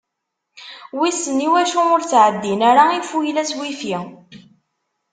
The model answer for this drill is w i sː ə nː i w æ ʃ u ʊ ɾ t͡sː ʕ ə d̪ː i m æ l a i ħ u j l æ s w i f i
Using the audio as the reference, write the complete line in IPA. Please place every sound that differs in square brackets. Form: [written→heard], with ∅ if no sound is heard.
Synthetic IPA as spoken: w i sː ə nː i w æ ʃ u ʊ ɾ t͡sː ʕ ə d̪ː i [m→n] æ [l→ɾ] a i [ħ→f] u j l æ s w i f i